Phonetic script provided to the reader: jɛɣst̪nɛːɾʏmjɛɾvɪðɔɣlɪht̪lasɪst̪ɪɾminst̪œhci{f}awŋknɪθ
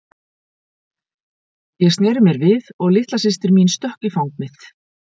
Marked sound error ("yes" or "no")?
no